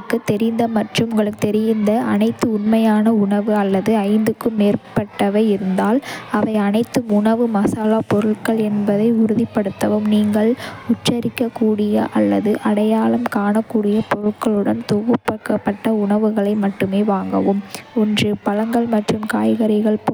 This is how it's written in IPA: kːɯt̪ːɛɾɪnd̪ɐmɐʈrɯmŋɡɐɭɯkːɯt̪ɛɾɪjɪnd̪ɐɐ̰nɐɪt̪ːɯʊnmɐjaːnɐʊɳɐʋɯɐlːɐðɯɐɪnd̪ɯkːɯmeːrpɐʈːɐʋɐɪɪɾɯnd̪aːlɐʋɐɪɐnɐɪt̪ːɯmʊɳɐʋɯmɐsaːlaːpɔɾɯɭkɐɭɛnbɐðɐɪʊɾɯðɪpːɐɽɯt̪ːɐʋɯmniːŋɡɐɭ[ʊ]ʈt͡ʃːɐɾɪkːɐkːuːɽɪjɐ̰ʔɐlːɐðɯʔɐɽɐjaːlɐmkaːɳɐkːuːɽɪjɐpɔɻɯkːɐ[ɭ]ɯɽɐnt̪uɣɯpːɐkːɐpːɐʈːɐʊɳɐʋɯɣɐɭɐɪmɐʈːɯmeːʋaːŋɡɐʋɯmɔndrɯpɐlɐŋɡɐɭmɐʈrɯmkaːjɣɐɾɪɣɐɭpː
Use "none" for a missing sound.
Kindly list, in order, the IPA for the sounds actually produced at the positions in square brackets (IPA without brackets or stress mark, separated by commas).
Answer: ʊ, ɭ